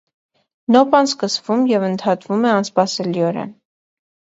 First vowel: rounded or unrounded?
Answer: rounded